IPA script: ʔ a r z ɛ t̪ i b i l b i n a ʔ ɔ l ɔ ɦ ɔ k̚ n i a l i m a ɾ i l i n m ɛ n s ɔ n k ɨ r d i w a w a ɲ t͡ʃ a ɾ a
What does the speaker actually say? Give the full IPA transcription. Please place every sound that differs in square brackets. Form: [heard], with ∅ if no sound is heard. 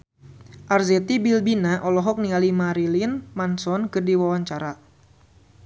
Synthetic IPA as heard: ʔ a r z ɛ t̪ i b i l b i n a ʔ ɔ l ɔ ɦ ɔ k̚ n i a l i m a ɾ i l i n m [a] n s ɔ n k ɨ r d i w a w a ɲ t͡ʃ a ɾ a